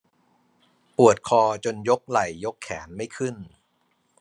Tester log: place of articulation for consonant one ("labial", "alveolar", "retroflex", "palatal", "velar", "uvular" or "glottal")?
labial